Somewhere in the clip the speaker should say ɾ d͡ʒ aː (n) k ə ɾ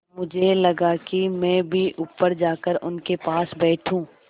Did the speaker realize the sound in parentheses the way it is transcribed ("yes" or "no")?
no